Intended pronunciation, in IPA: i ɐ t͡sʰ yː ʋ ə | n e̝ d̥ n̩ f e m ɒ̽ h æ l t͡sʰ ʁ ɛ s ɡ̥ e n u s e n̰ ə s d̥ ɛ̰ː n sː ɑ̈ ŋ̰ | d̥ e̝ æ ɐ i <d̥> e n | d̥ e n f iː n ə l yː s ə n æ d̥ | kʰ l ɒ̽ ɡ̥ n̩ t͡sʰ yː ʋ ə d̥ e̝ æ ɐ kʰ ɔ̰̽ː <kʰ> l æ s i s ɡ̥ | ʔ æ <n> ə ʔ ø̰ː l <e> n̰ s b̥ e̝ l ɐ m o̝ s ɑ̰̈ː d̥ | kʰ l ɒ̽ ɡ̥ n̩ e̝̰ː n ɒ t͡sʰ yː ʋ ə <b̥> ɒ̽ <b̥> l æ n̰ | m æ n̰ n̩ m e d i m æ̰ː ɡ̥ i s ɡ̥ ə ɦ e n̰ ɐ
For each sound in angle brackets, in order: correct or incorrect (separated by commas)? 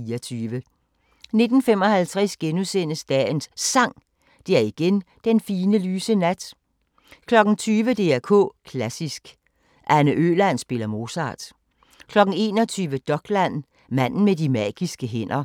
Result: incorrect, correct, correct, incorrect, incorrect, incorrect